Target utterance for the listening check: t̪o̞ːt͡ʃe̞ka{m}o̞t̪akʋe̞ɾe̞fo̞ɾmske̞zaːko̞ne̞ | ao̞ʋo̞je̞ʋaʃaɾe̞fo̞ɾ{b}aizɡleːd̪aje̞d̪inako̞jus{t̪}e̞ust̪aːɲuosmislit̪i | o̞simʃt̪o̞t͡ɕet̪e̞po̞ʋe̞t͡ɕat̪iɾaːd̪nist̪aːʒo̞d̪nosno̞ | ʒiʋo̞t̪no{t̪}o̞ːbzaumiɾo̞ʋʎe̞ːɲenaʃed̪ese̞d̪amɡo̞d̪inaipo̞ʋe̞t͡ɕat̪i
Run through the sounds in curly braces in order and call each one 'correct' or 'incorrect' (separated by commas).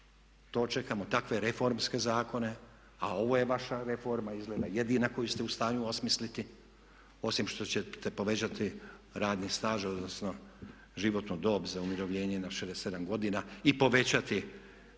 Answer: correct, incorrect, correct, incorrect